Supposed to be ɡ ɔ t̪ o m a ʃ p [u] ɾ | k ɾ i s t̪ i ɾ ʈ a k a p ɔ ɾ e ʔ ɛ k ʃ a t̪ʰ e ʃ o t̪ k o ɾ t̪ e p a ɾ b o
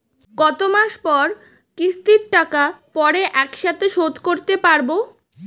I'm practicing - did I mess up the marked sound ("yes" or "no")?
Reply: yes